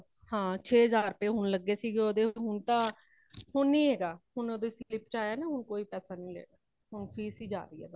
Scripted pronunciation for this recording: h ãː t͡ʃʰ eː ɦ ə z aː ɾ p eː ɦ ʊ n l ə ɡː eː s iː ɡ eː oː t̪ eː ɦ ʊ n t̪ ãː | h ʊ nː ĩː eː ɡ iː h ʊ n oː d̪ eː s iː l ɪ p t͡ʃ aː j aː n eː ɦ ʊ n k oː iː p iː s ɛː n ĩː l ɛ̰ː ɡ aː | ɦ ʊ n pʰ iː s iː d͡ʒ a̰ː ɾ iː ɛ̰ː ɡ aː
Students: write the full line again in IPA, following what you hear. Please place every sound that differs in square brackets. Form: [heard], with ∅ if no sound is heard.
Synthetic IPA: h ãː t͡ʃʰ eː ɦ ə z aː ɾ p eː ɦ ʊ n l ə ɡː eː s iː ɡ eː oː [d̪] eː ɦ ʊ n t̪ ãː | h ʊ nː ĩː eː ɡ [aː] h ʊ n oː d̪ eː s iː l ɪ p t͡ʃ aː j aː n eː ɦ ʊ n k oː iː p [ɛː] s [aː] n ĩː l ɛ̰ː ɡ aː | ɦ ʊ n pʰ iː s iː d͡ʒ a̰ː ɾ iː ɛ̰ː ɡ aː